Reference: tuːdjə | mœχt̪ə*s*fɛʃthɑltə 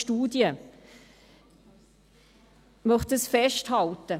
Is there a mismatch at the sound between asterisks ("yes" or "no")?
no